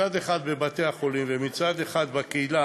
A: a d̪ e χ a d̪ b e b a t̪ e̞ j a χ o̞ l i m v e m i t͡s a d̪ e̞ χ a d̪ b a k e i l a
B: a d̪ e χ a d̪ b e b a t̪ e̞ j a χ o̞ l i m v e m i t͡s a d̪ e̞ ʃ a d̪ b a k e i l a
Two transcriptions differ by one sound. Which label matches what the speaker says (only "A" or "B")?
A